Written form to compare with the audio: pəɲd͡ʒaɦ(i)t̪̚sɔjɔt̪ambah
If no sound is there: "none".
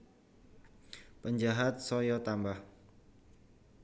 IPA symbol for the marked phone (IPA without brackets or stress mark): a